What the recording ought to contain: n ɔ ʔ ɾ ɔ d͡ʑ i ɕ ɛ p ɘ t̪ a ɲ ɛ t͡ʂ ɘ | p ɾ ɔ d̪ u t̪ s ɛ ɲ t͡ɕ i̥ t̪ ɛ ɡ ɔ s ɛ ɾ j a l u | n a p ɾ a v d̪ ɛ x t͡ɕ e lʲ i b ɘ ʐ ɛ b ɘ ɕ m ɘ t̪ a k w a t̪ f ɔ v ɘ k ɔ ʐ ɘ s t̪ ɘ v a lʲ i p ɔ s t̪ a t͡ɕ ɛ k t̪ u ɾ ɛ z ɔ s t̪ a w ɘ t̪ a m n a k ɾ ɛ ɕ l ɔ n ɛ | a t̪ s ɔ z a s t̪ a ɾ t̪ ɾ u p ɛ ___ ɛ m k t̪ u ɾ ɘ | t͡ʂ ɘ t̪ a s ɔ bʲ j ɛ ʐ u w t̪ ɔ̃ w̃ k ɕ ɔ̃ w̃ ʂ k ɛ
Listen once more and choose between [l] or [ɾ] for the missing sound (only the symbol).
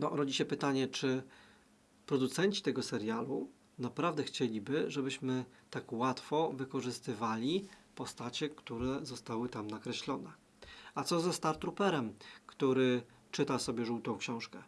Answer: ɾ